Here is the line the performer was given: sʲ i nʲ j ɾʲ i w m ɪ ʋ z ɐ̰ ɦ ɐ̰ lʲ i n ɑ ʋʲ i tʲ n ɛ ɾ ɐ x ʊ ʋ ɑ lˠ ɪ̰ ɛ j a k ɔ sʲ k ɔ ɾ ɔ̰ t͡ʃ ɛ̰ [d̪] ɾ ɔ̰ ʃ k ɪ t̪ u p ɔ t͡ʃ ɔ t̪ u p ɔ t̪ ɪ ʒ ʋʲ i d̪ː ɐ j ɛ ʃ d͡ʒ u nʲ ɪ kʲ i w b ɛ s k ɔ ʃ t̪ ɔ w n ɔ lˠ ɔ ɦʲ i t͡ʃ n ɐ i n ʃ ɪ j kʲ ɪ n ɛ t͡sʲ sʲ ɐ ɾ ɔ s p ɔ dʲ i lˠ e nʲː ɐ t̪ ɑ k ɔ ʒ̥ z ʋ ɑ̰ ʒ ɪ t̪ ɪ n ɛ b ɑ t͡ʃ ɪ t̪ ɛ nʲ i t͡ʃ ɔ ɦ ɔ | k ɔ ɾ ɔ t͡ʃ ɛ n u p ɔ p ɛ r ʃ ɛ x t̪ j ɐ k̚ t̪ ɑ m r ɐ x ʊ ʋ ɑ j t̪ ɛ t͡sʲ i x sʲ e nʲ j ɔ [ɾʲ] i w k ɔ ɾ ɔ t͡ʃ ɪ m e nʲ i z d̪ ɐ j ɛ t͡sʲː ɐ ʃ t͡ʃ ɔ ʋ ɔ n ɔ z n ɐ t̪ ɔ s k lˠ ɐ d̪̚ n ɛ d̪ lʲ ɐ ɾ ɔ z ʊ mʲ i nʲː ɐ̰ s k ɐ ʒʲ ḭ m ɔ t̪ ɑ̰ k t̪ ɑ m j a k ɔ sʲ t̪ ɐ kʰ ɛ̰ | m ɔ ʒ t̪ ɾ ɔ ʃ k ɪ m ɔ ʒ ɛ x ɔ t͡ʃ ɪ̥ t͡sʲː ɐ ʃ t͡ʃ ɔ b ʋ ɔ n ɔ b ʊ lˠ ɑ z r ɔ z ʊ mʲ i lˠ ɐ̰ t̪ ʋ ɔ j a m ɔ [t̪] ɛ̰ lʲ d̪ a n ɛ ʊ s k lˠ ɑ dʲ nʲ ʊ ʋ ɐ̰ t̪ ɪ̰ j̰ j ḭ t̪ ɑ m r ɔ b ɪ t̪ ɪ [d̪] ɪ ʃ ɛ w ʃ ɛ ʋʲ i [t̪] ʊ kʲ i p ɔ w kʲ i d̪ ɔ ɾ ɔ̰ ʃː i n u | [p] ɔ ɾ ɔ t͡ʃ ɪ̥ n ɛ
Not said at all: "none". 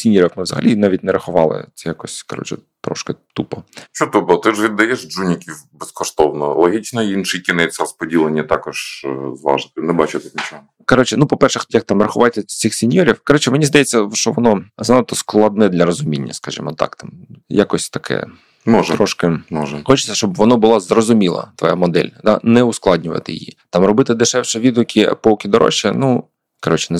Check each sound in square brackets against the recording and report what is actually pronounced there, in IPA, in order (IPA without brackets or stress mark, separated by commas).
t̪, ɾʲ, d̪, d̪, d̪, k